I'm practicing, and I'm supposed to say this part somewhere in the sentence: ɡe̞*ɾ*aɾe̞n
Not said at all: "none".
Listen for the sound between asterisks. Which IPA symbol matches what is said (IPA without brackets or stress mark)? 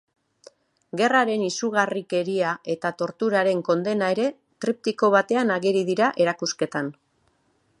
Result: r